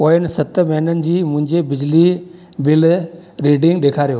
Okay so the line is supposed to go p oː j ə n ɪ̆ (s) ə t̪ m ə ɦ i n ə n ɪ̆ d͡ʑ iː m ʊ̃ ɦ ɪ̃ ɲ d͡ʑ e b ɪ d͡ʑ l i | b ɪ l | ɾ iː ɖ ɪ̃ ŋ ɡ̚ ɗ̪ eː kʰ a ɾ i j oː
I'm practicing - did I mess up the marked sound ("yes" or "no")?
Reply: no